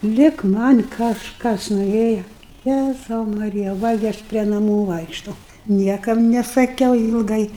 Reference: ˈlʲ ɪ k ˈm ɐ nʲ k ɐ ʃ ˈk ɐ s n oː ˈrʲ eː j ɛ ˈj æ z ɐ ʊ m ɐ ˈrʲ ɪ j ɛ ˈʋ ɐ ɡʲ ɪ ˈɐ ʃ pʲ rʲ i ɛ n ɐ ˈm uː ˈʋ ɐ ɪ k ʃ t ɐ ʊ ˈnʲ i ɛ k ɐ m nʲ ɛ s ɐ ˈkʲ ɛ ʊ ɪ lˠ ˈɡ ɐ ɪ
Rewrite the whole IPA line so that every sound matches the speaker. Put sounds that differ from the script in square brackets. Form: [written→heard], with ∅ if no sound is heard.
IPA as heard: ˈlʲ ɪ k ˈm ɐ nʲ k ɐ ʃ ˈk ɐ s n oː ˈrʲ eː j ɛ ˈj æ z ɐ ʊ m ɐ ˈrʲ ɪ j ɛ ˈʋ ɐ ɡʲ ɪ ˈɐ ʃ pʲ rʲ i ɛ n ɐ ˈm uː ˈʋ ɐ ɪ k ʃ t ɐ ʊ ˈnʲ i ɛ k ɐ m nʲ ɛ s ɐ ˈkʲ ɛ ʊ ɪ lˠ ˈɡ ɐ ɪ